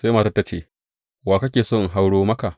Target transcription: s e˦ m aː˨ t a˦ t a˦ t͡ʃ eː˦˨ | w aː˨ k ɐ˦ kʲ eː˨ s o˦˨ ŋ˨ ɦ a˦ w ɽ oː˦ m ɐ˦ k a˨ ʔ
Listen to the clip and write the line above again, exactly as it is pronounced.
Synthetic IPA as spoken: s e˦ m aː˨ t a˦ t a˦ t͡ʃ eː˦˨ | w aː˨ k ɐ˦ kʲ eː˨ s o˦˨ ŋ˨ ɦ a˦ w ɽ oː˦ m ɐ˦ k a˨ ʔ